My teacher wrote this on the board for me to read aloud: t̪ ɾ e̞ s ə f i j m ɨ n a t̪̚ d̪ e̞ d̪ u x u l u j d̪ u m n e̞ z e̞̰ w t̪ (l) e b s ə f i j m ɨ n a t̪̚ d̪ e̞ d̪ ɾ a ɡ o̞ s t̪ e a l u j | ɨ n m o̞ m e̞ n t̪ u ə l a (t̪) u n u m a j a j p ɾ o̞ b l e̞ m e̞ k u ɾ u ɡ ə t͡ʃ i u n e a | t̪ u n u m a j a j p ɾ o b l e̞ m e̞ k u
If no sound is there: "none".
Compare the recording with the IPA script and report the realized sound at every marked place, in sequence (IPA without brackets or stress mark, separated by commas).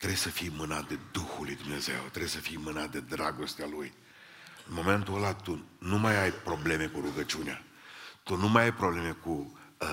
ɾ, t̪